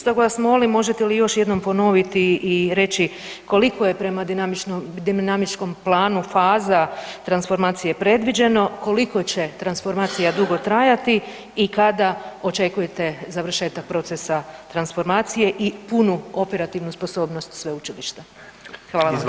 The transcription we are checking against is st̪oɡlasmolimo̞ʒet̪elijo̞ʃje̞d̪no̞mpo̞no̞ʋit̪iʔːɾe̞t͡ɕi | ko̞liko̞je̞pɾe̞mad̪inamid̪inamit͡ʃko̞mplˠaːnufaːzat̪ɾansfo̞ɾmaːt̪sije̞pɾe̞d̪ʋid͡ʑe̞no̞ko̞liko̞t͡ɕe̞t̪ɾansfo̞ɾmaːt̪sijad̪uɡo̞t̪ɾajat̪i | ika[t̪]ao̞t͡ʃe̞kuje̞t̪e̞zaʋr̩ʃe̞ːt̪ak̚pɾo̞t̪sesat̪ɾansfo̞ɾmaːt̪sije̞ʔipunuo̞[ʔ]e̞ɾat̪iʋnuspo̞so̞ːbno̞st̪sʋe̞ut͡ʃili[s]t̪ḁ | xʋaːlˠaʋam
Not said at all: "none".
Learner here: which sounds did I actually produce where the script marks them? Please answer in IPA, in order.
d̪, p, ʃ

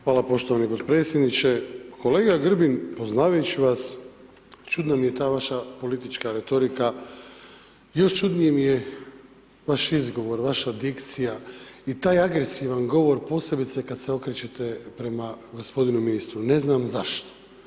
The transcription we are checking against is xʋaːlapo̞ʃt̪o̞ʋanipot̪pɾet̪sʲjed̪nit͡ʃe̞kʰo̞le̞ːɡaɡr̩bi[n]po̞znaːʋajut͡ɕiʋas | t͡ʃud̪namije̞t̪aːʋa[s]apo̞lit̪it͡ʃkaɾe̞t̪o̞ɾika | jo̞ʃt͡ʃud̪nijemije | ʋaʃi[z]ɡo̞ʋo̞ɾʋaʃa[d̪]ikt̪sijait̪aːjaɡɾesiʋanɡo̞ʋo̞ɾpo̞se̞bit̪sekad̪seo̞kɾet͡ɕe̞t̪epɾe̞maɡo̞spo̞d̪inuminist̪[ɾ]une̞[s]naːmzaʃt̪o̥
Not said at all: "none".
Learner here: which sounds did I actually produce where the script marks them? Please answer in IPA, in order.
n, ʃ, z, d̪, ɾ, z

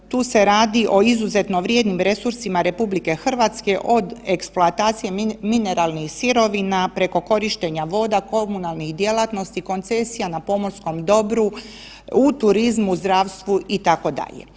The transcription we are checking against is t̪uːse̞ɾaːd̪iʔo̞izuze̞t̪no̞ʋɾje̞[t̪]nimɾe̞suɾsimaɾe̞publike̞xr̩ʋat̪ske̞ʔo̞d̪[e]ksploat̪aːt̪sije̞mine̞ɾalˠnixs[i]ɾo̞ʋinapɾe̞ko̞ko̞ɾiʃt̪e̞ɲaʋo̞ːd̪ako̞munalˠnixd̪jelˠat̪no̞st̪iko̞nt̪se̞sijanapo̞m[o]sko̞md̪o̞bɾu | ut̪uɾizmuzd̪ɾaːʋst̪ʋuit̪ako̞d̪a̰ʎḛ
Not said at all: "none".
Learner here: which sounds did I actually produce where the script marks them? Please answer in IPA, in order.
d̪, e, i, o

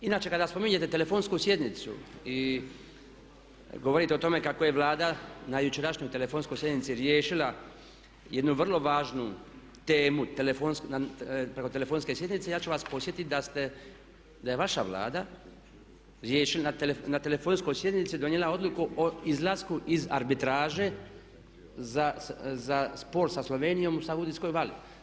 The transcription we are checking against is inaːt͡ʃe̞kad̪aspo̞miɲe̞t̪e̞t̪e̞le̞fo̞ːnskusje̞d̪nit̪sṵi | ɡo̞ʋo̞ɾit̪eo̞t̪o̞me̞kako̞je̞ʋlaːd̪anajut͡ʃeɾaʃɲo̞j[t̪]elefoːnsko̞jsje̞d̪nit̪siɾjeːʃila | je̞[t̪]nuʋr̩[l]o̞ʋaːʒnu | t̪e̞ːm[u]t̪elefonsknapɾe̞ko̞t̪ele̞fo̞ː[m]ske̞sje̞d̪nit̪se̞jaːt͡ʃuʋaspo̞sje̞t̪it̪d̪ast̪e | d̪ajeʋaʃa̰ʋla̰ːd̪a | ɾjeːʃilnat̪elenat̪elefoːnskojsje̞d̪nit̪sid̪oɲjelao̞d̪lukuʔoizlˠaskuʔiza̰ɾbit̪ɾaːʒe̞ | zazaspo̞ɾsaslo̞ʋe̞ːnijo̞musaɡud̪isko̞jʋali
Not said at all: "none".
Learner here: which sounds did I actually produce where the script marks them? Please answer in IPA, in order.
t̪, d̪, l, u, n

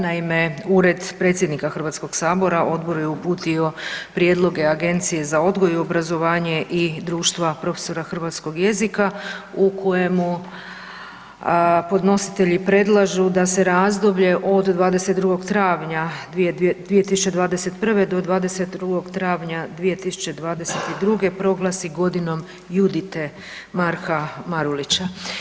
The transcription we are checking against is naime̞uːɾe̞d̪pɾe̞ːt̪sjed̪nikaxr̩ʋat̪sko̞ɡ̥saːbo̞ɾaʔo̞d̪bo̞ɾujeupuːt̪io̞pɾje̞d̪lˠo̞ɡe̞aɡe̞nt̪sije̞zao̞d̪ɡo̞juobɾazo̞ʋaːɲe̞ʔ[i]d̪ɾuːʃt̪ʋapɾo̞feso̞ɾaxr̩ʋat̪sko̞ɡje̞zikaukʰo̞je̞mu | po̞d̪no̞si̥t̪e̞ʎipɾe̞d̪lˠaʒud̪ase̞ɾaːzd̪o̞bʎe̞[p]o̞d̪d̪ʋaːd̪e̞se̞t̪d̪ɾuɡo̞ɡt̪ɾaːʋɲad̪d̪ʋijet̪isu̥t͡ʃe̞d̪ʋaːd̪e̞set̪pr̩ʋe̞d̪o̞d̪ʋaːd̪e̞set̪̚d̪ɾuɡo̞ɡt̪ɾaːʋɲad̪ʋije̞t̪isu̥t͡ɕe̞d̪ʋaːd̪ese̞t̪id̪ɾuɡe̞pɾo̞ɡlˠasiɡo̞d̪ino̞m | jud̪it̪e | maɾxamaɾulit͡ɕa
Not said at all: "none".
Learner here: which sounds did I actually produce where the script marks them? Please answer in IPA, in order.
i, ʔ

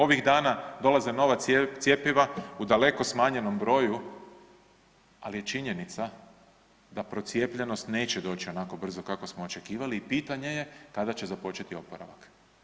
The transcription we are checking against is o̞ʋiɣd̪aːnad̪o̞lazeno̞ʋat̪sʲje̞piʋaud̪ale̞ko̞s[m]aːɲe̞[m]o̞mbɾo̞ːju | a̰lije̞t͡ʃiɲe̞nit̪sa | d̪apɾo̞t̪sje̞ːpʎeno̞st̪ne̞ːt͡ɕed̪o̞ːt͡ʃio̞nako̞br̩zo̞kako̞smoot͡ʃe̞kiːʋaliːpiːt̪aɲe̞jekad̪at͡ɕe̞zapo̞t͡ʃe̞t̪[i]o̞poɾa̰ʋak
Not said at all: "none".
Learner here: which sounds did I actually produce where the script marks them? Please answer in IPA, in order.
m, n, i

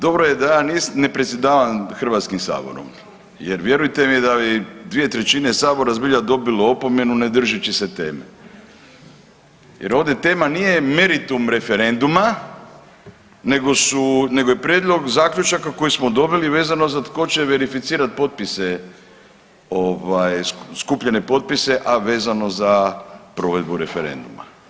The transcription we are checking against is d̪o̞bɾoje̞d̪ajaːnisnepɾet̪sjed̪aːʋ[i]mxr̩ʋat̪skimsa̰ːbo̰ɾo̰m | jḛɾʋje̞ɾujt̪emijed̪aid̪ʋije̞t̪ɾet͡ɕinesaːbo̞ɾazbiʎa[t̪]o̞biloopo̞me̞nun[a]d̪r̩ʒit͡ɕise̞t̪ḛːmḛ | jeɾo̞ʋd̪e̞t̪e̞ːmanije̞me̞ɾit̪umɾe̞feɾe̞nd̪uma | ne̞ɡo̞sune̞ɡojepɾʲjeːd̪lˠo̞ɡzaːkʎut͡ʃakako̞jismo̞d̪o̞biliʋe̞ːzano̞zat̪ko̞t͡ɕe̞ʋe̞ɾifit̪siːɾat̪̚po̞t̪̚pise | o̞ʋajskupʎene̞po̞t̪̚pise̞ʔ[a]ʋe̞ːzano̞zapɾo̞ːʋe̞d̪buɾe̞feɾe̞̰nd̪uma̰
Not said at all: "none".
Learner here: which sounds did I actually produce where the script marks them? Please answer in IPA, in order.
a, d̪, e, a

